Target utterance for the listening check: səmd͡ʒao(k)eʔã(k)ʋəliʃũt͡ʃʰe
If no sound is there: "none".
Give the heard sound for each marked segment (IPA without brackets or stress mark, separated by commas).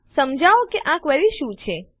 k, k